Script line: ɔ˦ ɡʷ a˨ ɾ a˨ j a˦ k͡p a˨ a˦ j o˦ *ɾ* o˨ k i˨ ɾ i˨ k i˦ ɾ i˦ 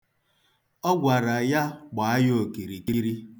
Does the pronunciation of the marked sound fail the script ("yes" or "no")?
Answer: yes